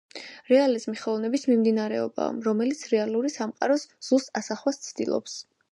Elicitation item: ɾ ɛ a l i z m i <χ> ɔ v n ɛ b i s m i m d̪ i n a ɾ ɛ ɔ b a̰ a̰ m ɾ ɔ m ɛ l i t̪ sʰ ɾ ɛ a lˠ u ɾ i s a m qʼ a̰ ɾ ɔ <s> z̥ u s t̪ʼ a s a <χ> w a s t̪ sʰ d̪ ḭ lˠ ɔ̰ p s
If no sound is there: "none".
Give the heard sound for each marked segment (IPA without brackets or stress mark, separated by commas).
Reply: χ, s, χ